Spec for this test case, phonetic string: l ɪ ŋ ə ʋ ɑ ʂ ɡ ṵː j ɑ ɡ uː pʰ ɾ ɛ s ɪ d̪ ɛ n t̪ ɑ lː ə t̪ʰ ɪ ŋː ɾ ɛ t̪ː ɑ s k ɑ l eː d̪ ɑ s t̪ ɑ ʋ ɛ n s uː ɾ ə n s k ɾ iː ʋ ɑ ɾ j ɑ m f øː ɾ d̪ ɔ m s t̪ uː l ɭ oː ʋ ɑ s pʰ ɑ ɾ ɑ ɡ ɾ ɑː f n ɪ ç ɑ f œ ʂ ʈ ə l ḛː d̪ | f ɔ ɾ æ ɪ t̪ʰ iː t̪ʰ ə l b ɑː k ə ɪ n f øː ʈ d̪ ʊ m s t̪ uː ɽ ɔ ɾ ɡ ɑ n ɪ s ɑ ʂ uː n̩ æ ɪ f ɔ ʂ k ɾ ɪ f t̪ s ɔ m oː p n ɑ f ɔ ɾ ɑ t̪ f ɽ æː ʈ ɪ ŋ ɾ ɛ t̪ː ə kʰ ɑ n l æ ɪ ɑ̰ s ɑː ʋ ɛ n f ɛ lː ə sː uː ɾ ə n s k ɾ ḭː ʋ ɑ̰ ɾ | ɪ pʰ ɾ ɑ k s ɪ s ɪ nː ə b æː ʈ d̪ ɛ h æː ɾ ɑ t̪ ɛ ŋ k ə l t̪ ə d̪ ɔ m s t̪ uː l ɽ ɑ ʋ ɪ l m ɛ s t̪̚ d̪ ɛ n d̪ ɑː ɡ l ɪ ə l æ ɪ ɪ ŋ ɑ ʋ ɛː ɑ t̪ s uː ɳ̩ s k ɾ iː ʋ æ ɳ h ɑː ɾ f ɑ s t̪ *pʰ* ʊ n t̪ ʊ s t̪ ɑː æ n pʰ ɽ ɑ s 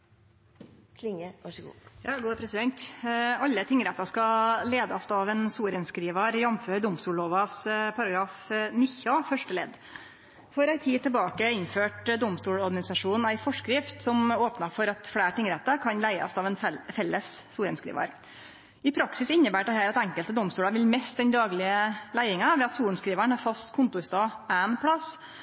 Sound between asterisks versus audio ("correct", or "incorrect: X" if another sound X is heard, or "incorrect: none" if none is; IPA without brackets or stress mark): incorrect: kʰ